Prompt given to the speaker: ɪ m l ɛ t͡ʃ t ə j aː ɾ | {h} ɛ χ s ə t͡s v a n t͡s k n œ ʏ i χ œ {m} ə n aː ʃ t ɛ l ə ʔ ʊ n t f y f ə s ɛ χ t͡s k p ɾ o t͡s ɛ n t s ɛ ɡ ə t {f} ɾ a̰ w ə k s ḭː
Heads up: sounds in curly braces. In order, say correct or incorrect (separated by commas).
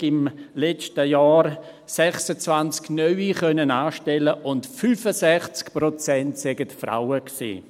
incorrect, incorrect, correct